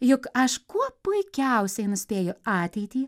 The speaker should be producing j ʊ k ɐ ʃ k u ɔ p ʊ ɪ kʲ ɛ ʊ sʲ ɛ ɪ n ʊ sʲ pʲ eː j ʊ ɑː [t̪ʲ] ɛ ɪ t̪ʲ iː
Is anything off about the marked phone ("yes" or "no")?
no